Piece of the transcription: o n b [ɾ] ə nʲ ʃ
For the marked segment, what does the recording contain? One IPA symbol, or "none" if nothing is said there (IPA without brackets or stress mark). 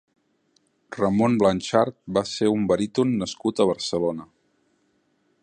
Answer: l